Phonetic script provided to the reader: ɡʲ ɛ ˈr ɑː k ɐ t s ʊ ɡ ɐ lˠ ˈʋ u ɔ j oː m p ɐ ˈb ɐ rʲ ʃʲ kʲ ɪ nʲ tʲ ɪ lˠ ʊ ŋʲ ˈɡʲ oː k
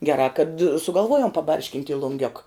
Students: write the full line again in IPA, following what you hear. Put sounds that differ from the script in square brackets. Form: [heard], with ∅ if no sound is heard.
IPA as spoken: ɡʲ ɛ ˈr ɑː k ɐ t s ʊ ɡ ɐ lˠ ˈʋ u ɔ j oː m p ɐ ˈb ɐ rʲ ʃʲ kʲ ɪ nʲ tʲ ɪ lˠ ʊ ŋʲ ˈɡʲ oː k